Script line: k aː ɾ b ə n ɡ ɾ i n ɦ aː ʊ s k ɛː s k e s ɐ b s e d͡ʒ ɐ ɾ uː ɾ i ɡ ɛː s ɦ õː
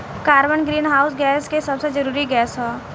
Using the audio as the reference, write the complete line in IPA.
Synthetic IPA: k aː ɾ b ə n ɡ ɾ iː n ɦ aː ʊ s ɡ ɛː s k e s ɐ b s e d͡ʒ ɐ ɾ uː ɾ i ɡ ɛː s ɦ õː

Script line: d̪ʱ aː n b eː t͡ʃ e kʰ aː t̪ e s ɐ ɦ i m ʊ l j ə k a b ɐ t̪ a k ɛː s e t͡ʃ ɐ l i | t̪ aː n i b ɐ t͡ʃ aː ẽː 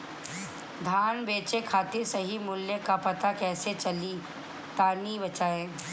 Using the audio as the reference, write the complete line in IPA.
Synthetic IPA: d̪ʱ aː n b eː t͡ʃ e kʰ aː t̪ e s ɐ ɦ i m ʊ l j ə k a p ɐ t̪ a k ɛː s e t͡ʃ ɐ l i | t̪ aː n i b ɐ t͡ʃ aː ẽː

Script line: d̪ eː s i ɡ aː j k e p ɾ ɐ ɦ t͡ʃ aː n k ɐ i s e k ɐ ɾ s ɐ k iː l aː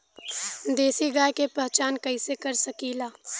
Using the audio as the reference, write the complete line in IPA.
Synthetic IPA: d̪ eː s i ɡ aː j k e p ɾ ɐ ɦ t͡ʃ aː n k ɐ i s e k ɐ ɾ s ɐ k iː l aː

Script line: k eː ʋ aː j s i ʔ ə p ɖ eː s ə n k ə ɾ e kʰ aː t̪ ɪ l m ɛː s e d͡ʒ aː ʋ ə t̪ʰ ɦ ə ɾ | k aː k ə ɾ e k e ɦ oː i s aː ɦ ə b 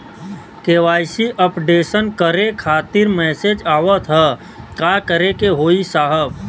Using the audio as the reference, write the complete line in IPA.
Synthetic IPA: k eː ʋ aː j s i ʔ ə p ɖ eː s ə n k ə ɾ e kʰ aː t̪ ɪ ɾ m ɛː s e d͡ʒ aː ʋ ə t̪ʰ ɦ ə | k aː k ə ɾ e k e ɦ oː i s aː ɦ ə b

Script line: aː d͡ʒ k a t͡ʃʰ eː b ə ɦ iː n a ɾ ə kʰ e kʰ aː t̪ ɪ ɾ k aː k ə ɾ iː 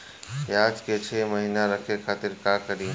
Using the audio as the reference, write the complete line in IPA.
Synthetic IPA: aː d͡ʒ k e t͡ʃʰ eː m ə ɦ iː n a ɾ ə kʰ e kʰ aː t̪ ɪ ɾ k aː k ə ɾ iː

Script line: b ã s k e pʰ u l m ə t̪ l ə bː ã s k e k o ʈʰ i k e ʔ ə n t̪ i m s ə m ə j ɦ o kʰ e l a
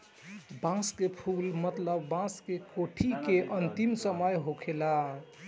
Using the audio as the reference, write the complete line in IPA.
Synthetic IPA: b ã s k e pʰ u l m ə t̪ l ə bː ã s k e k o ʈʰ i k e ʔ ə n t̪ i m s ə m ə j ɦ o kʰ e l a

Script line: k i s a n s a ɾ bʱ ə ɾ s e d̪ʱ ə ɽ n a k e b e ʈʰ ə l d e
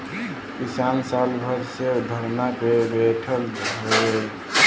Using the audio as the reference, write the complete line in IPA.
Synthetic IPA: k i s a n s a l bʱ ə ɾ s e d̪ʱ ə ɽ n a k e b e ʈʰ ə l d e

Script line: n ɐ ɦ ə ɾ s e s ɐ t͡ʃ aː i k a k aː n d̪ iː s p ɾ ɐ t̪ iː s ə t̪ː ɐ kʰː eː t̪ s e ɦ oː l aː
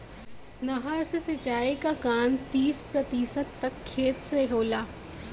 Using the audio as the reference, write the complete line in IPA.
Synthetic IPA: n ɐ ɦ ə ɾ s e s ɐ t͡ʃ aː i k a k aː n t̪ iː s p ɾ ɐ t̪ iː s ə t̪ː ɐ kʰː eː t̪ s e ɦ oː l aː

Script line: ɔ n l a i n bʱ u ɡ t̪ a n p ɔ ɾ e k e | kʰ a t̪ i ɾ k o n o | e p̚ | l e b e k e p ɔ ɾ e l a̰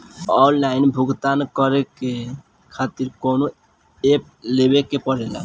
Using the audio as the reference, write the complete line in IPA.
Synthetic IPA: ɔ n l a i n bʱ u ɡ t̪ a n k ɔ ɾ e k e | kʰ a t̪ i ɾ k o n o | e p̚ | l e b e k e p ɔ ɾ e l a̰

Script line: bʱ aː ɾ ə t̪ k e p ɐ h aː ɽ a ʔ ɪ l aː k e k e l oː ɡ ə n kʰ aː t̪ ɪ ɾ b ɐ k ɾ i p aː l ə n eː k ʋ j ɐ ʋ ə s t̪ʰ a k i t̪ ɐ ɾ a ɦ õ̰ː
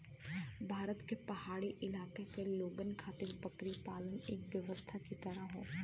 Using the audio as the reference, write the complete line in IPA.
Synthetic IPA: bʱ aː ɾ ə t̪ k e p ɐ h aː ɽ i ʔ ɪ l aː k e k e l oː ɡ ə n kʰ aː t̪ ɪ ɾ b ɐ k ɾ i p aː l ə n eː k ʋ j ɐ ʋ ə s t̪ʰ a k i t̪ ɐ ɾ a ɦ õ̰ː

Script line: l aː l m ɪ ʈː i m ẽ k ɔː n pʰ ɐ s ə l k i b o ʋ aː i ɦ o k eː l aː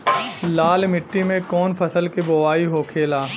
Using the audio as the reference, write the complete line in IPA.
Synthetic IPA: l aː l m ɪ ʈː i m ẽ k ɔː n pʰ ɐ s ə l k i b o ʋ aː i ɦ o kʰ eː l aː

